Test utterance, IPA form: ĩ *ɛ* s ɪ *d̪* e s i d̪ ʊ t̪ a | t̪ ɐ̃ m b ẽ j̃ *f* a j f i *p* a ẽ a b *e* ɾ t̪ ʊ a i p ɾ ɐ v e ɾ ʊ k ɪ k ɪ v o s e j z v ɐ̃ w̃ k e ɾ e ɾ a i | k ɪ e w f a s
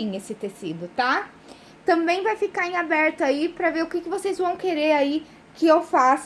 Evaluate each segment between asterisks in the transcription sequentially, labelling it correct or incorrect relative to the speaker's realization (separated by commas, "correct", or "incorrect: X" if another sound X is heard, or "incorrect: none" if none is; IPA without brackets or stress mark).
incorrect: e, incorrect: t̪, incorrect: v, incorrect: k, incorrect: ɛ